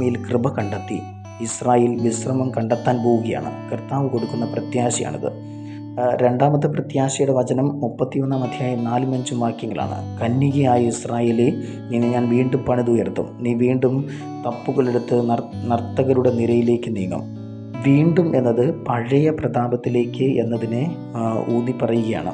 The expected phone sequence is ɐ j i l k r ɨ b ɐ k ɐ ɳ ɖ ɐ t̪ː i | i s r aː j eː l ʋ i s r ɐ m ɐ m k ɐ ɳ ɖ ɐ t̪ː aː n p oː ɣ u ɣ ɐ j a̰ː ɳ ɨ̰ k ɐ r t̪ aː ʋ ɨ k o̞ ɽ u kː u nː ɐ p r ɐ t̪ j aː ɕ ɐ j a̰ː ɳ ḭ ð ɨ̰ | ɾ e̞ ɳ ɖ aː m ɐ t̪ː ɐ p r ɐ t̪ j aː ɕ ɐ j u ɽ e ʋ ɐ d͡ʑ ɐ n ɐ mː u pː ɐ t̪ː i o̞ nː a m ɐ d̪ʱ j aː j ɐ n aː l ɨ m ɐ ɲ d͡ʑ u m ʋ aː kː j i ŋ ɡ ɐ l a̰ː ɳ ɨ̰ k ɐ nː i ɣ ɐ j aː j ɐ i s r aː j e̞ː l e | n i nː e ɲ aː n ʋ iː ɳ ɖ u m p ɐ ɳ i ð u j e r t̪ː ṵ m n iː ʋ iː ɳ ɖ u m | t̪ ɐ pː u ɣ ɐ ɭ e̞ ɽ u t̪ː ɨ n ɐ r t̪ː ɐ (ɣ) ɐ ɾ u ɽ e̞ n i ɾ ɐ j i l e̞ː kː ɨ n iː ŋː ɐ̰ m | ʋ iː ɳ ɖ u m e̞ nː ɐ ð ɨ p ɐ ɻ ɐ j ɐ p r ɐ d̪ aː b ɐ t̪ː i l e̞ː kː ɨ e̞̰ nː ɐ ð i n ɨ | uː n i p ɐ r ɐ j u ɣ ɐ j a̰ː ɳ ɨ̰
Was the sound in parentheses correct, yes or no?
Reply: yes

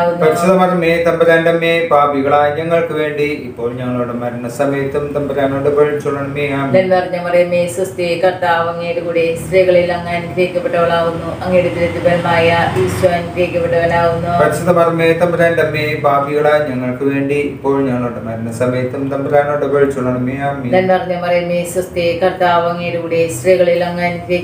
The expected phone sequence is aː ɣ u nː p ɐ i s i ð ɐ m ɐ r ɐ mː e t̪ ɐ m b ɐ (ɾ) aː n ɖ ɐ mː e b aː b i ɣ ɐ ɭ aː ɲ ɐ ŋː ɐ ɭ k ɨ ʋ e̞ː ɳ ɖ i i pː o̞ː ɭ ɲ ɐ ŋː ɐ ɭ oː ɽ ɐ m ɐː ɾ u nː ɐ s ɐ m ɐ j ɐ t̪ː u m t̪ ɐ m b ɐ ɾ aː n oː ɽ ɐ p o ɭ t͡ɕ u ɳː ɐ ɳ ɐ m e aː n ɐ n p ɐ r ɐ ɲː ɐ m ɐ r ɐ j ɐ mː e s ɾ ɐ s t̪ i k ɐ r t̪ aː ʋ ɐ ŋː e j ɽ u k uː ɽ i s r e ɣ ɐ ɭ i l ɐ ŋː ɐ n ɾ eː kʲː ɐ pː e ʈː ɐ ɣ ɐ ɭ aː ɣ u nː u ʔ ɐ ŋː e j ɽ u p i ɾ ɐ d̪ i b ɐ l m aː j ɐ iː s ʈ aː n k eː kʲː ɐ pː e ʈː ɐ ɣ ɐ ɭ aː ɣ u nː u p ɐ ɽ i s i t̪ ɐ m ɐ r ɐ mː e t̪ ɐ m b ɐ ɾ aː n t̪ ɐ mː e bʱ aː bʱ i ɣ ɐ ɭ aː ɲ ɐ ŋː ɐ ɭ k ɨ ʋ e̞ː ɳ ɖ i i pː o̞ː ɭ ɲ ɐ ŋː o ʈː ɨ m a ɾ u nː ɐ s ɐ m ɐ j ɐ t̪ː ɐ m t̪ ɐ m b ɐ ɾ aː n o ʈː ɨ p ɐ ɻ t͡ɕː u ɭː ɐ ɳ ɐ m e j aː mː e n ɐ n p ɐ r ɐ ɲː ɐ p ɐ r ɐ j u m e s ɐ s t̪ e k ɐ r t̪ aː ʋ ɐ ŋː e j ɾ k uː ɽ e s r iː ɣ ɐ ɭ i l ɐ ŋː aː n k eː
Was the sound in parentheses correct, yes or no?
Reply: yes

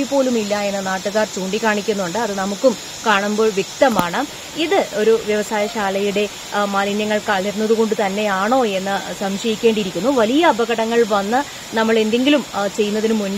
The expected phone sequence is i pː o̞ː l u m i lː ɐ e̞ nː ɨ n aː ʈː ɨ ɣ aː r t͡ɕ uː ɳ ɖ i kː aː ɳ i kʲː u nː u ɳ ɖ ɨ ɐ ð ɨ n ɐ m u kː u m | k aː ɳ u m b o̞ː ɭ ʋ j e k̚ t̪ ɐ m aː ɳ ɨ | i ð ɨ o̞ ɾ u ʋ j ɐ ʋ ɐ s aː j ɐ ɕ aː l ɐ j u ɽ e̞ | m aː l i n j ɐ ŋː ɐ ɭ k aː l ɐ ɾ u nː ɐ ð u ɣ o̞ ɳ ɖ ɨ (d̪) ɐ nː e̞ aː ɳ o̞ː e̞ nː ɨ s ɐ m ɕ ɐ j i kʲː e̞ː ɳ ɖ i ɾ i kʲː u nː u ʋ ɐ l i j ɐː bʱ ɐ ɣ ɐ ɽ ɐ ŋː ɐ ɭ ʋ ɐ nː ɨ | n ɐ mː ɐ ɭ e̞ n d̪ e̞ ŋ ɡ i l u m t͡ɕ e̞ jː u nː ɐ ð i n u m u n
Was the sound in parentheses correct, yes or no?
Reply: no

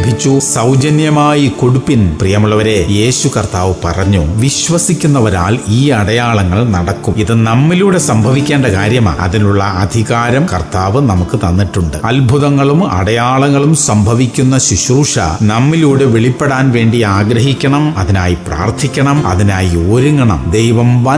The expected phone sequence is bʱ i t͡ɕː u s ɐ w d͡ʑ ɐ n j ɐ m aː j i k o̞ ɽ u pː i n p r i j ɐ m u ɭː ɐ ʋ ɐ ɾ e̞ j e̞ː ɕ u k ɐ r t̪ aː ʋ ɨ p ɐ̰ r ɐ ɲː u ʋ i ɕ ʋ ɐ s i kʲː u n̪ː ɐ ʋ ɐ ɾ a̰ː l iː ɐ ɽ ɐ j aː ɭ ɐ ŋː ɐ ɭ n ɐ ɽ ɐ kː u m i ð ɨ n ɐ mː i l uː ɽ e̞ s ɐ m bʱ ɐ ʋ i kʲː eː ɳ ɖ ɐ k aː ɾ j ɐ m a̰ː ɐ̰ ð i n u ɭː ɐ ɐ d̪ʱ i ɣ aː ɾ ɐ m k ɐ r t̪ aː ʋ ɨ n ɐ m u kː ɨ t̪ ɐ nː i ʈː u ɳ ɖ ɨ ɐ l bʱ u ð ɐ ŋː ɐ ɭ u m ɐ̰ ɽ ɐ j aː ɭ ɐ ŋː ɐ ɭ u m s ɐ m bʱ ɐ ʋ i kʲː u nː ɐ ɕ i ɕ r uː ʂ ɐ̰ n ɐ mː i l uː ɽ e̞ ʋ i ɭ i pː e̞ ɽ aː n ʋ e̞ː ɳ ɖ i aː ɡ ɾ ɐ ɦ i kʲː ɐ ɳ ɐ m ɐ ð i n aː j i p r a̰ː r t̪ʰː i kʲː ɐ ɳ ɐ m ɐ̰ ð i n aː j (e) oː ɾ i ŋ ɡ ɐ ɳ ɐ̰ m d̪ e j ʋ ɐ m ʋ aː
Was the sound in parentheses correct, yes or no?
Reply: no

